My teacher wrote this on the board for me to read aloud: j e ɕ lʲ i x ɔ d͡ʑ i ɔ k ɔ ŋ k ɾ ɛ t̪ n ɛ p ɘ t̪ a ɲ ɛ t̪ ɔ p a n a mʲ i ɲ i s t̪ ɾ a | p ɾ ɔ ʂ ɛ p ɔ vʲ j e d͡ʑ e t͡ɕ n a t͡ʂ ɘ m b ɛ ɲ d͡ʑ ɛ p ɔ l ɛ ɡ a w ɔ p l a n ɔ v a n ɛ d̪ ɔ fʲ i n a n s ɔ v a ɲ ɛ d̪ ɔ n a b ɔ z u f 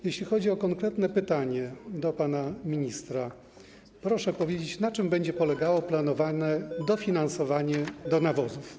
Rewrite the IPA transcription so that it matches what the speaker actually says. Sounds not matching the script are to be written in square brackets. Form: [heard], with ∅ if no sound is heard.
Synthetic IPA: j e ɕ lʲ i x ɔ d͡ʑ i ɔ k ɔ ŋ k ɾ ɛ t̪ n ɛ p ɘ t̪ a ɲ ɛ [d̪] ɔ p a n a mʲ i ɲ i s t̪ ɾ a | p ɾ ɔ ʂ ɛ p ɔ vʲ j e d͡ʑ e t͡ɕ n a t͡ʂ ɘ m b ɛ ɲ d͡ʑ ɛ p ɔ l ɛ ɡ a w ɔ p l a n ɔ v a n ɛ d̪ ɔ fʲ i n a n s ɔ v a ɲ ɛ d̪ ɔ n a [v] ɔ z u f